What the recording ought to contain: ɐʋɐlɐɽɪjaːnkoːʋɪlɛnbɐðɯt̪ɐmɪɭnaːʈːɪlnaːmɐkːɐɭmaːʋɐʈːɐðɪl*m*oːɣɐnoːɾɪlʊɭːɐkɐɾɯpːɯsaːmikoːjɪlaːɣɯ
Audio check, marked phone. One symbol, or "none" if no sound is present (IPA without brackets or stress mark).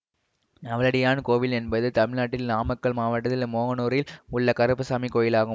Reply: m